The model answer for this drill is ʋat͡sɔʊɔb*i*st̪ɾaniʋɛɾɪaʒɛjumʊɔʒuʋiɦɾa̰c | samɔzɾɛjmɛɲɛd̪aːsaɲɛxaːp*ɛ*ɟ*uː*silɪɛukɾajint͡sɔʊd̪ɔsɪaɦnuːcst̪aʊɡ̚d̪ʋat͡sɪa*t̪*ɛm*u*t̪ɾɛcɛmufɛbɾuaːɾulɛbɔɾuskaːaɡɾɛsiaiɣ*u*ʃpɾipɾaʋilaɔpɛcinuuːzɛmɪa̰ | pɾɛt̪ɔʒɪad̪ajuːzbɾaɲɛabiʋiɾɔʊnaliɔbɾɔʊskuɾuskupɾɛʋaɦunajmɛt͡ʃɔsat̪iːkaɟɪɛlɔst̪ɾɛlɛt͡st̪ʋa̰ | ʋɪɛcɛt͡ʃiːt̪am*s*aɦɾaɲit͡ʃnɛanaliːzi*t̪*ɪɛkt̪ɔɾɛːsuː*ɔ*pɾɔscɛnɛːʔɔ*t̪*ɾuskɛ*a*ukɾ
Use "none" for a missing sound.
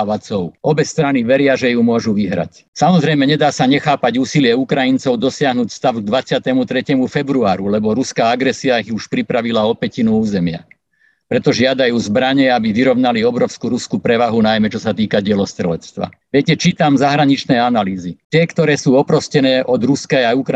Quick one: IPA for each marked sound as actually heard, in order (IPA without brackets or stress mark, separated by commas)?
ɛ, a, uː, t̪, u, u, z, t̪, ɔ, d̪, a